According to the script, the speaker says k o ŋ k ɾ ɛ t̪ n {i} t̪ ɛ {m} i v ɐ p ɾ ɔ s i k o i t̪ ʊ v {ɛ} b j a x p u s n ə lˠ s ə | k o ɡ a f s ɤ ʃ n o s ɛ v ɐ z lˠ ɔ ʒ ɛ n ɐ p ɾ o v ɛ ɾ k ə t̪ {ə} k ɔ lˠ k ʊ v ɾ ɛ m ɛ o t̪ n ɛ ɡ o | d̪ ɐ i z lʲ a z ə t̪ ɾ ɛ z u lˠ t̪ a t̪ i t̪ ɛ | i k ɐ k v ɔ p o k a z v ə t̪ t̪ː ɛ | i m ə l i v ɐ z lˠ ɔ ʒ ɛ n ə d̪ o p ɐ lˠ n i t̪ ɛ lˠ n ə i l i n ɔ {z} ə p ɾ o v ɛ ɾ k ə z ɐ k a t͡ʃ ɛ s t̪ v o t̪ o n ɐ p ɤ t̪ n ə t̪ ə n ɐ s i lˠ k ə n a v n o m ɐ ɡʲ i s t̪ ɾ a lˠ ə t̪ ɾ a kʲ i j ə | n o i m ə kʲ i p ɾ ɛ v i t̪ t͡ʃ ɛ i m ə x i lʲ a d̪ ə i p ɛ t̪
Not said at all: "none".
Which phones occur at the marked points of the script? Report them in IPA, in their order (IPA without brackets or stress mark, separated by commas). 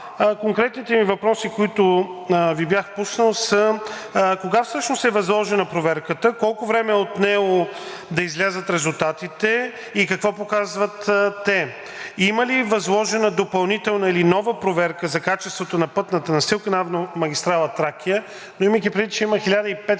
i, m, i, ə, v